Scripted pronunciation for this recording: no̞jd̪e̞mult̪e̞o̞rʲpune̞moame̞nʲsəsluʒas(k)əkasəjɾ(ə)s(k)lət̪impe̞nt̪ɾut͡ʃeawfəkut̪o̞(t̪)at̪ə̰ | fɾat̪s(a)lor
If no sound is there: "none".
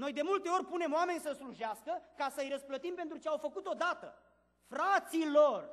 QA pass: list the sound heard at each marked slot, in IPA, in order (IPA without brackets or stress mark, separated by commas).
k, ə, p, d̪, i